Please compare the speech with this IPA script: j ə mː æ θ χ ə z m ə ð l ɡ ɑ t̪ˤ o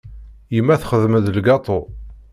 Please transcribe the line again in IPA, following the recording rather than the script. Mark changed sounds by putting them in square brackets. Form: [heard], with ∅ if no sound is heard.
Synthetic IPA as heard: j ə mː æ θ χ ə [ð] m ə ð l ɡ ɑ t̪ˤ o